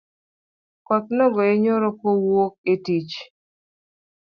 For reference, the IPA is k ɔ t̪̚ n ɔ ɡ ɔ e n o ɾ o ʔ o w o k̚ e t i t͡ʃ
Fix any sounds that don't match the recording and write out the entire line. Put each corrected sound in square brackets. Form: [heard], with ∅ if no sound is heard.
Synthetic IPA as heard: k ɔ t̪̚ n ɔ ɡ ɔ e [ɲ] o ɾ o [k] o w o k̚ e t i t͡ʃ